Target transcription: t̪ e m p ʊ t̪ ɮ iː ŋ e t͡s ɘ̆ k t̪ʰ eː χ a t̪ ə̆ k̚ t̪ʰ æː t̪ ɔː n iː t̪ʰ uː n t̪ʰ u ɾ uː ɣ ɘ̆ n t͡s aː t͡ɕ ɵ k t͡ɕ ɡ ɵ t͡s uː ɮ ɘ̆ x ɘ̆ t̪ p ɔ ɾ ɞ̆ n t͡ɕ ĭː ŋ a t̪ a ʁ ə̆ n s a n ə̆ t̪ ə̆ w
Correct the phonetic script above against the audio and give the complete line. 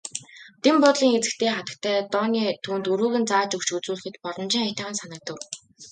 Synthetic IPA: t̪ e m p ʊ t̪ ɮ iː ŋ e t͡s ɘ̆ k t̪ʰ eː χ a t̪ ə̆ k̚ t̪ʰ æː t̪ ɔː n iː t̪ʰ uː n t̪ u ɾ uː ɣ ɘ̆ n t͡s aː t͡ɕ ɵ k t͡ɕ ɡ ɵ t͡s uː ɮ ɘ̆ x ɘ̆ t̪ p ɔ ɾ ɞ̆ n t͡ɕ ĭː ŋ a t̪ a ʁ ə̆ n s a n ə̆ t̪ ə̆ w